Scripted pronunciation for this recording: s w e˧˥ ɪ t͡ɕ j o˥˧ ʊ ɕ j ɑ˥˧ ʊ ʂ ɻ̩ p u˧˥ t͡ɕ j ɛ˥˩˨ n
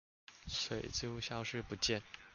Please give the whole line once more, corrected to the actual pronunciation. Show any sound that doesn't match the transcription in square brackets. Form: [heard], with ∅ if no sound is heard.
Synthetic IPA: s w [e˨˩] ɪ t͡ɕ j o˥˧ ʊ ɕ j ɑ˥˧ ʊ ʂ ɻ̩ p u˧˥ t͡ɕ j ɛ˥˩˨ n